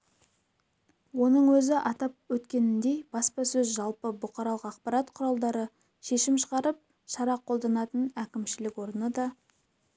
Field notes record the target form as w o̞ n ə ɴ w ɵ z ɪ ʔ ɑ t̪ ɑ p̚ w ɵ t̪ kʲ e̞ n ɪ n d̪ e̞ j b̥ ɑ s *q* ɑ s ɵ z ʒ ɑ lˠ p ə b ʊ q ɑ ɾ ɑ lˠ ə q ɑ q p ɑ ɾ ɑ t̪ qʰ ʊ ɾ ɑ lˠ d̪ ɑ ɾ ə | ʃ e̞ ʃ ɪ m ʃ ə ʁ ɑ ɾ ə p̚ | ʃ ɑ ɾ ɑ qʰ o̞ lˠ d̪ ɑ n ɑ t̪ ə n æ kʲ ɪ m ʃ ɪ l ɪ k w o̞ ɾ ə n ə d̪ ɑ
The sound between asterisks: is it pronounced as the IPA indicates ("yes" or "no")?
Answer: no